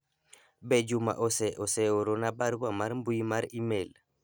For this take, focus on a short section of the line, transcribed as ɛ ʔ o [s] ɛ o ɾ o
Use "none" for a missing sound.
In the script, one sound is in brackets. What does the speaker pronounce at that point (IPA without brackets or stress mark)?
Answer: s